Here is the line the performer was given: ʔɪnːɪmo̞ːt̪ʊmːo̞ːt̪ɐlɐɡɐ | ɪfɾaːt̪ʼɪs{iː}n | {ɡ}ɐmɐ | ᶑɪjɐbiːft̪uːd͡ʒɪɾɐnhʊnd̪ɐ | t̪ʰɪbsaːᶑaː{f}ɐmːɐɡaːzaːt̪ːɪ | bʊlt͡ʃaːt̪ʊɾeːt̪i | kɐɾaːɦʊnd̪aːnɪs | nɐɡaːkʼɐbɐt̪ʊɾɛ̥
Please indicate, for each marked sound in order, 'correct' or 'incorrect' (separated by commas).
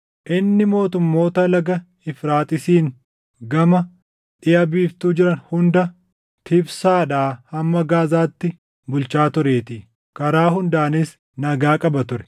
correct, correct, incorrect